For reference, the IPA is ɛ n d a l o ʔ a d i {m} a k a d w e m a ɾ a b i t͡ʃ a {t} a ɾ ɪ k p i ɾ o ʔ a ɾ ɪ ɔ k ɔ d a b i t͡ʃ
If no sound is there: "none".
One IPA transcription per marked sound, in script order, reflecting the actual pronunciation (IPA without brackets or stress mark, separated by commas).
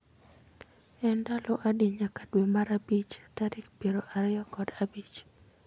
ɲ, t